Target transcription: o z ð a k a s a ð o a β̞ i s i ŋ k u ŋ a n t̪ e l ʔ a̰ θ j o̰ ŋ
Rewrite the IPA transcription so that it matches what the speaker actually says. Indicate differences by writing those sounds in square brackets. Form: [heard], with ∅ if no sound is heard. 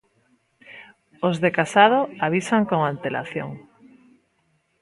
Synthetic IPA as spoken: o z ð [e] k a s a ð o a β̞ i s [a] ŋ k [o] ŋ a n t̪ e l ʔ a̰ θ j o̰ ŋ